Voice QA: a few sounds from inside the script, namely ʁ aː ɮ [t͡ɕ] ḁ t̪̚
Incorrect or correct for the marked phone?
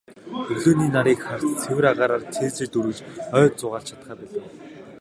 incorrect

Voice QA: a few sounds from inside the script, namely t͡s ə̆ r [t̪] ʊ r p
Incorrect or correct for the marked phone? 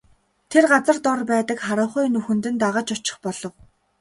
correct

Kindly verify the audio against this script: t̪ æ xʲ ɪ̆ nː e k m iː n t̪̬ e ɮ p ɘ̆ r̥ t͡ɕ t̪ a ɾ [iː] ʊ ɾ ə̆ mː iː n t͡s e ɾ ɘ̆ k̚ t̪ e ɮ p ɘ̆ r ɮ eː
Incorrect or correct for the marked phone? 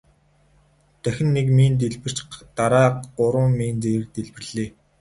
incorrect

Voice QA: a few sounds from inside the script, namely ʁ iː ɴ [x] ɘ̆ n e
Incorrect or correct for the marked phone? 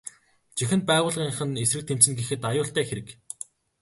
incorrect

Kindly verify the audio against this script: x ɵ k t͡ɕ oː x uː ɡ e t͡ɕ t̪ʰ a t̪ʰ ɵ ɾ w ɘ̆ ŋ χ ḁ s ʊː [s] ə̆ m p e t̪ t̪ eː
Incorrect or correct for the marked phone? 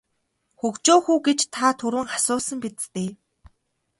correct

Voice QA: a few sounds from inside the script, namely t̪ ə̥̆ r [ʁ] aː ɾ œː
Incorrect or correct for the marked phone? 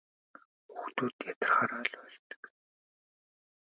incorrect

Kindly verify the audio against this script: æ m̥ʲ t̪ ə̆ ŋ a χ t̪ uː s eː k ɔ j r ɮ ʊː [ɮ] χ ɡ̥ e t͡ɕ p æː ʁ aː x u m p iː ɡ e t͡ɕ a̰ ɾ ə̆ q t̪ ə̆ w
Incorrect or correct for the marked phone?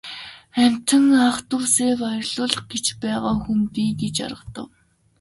correct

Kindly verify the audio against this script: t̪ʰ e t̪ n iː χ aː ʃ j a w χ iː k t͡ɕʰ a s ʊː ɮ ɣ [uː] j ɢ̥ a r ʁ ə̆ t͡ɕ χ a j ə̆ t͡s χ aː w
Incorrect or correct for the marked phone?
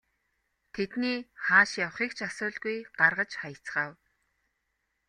incorrect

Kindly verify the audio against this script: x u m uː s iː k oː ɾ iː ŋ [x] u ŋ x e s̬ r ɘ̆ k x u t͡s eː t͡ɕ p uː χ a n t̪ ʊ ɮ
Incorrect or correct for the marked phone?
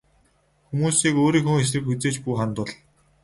correct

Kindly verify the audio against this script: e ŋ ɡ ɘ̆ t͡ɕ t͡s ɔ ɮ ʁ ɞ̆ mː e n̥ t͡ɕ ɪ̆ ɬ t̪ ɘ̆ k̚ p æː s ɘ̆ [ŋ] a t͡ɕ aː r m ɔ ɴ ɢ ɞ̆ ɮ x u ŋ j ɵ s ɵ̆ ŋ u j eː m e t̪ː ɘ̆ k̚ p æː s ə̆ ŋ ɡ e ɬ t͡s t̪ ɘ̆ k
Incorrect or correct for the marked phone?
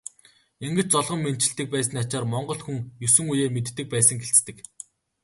incorrect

